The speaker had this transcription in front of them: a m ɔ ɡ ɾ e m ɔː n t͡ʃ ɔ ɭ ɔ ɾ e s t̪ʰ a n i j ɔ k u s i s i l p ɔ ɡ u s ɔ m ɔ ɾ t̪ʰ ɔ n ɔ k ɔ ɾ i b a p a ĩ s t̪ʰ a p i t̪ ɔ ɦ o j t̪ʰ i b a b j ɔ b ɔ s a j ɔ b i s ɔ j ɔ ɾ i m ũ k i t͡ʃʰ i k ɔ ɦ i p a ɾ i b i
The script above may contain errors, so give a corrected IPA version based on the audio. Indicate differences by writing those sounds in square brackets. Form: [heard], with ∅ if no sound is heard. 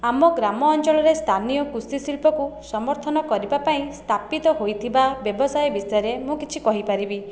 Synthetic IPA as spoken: a m ɔ ɡ ɾ [a] m ɔː n t͡ʃ ɔ ɭ ɔ ɾ e s t̪ʰ a n i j ɔ k u s i s i l p ɔ [k] u s ɔ m ɔ ɾ t̪ʰ ɔ n ɔ k ɔ ɾ i b a p a ĩ s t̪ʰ a p i t̪ ɔ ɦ o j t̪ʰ i b a b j ɔ b ɔ s a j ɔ b i s ɔ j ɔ ɾ [e] m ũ k i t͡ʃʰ i k ɔ ɦ i p a ɾ i b i